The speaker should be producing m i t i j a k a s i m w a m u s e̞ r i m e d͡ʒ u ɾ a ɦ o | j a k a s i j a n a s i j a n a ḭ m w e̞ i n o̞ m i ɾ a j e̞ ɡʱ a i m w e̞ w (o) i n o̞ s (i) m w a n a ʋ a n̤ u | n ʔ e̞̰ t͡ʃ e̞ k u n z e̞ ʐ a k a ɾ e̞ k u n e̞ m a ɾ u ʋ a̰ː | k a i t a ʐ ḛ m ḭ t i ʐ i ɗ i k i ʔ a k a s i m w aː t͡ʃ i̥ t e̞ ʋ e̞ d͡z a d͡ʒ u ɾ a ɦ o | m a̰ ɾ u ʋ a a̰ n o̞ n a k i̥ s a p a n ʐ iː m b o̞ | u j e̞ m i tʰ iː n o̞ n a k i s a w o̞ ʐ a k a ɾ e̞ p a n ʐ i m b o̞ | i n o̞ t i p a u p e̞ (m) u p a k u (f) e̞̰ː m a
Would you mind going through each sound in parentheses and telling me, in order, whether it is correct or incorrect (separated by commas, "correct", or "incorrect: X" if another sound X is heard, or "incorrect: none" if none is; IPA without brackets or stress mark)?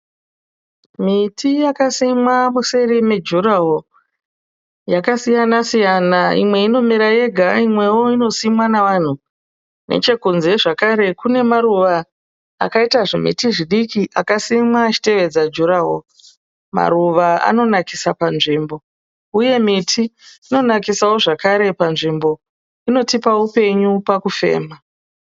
correct, correct, incorrect: ɲ, correct